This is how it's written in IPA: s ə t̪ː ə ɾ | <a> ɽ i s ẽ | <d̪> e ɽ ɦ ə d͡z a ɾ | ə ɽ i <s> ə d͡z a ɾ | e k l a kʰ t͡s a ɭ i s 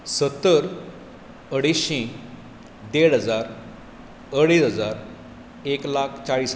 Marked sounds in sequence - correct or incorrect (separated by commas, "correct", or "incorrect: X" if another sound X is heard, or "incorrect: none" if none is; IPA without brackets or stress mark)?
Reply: incorrect: ə, correct, correct